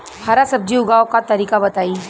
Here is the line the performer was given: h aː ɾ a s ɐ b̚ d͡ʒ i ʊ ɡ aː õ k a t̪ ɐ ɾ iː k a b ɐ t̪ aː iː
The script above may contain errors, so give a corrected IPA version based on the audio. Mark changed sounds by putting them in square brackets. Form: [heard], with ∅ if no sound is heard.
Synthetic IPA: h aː ɾ a s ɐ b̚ d͡ʒ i ʊ ɡ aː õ k a t̪ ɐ ɾ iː k a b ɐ t̪ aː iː